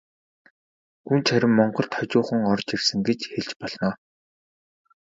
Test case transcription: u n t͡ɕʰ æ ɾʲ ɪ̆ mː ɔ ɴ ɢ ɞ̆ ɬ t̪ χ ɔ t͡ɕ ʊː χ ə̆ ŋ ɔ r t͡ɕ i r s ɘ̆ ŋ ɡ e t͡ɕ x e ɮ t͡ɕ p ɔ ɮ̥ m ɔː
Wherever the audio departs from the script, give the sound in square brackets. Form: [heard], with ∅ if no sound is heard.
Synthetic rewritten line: u n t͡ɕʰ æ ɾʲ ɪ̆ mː ɔ ɴ ɢ ɞ̆ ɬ t̪ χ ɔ t͡ɕ ʊː χ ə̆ ŋ ɔ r t͡ɕ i r s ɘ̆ ŋ ɡ e t͡ɕ x e ɮ t͡ɕ p ɔ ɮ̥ [n] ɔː